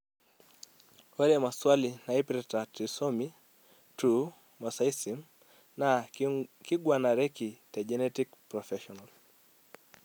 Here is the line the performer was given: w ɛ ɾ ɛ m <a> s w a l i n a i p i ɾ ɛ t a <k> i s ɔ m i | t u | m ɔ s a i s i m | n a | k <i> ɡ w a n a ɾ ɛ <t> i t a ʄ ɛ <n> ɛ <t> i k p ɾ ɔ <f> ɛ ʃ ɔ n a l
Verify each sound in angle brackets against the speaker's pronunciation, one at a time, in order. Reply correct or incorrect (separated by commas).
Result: correct, incorrect, correct, incorrect, correct, correct, correct